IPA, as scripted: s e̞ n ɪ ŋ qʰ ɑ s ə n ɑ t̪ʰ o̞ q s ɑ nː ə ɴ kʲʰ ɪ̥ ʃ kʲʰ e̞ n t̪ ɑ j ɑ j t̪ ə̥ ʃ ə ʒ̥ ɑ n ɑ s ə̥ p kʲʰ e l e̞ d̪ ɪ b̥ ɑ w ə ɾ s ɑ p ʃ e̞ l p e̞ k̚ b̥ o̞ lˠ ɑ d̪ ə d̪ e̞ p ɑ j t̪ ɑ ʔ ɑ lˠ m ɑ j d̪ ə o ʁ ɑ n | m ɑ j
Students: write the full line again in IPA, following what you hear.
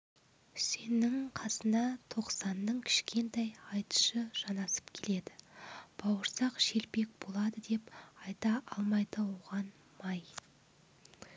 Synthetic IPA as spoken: s e̞ n ɪ ŋ qʰ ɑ s ə n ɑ t̪ʰ o̞ q s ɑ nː ə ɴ kʲʰ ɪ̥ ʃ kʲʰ e̞ n t̪ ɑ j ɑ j t̪ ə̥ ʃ ə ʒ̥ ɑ n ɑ s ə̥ p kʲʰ e l e̞ d̪ ɪ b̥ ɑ w ə ɾ s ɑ q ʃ e̞ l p e̞ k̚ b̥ o̞ lˠ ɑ d̪ ə d̪ e̞ p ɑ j t̪ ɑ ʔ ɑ lˠ m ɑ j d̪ ə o ʁ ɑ n | m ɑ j